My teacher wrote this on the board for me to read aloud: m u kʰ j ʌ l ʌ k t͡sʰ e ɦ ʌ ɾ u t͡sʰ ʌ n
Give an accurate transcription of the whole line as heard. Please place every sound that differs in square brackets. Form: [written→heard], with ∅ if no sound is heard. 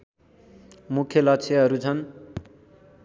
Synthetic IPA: m u kʰ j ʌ l ʌ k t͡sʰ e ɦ ʌ ɾ u t͡sʰ ʌ n